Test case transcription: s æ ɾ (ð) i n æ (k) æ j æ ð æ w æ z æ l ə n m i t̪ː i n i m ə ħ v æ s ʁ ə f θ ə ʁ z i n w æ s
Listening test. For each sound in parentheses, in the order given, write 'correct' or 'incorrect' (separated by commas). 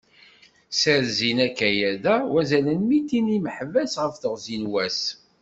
incorrect, correct